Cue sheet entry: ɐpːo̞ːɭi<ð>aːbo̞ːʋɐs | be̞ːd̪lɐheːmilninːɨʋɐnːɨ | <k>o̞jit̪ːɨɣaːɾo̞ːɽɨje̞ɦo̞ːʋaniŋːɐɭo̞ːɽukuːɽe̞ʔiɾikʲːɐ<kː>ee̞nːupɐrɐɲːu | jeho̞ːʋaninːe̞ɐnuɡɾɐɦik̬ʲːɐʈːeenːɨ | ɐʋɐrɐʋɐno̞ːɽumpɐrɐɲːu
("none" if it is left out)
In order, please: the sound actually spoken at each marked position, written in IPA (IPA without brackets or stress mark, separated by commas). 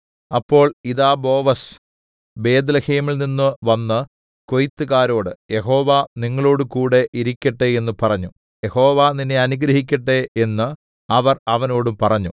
ð, k, ʈː